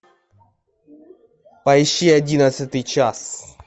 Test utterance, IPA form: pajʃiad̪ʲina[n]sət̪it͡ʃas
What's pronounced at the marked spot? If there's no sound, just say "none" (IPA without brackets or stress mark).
none